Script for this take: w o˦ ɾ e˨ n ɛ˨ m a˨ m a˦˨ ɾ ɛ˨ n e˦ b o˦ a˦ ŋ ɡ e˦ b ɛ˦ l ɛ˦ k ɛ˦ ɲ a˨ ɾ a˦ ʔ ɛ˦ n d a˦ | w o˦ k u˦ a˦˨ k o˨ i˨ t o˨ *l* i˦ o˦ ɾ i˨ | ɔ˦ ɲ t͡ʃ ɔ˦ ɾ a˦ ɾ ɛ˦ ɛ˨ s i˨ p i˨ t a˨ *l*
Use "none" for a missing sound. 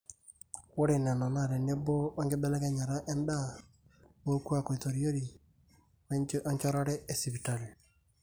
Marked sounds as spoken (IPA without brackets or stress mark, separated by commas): ɾ, l